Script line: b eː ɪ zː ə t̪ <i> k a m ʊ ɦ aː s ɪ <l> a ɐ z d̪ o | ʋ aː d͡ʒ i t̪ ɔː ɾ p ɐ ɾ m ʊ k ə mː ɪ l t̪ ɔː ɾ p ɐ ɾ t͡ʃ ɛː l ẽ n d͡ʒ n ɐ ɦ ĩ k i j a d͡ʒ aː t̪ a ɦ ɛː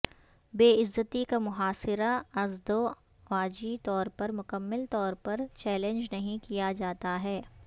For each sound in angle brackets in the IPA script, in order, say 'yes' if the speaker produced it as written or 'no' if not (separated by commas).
yes, no